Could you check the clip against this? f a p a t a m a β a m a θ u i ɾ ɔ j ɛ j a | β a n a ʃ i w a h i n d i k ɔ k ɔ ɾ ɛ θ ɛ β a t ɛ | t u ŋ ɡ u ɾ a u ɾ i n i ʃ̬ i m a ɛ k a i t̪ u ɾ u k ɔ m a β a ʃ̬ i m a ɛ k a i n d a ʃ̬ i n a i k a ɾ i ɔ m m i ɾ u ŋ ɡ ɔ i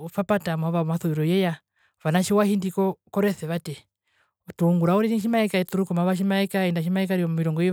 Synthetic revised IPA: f a p a t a m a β a m a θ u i ɾ ɔ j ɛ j a | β a n a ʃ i w a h i n d i k ɔ k ɔ ɾ ɛ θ ɛ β a t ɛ | t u ŋ ɡ u ɾ a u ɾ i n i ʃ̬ i m a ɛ k a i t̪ u ɾ u k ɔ m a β a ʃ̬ i m a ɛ k a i n d a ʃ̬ i m a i k a ɾ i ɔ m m i ɾ ɔ ŋ ɡ ɔ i